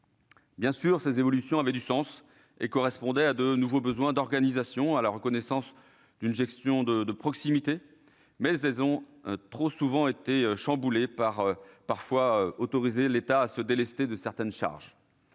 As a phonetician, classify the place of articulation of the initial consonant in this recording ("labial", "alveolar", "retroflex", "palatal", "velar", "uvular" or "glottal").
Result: labial